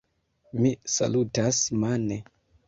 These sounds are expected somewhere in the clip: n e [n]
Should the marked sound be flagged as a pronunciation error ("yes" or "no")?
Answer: yes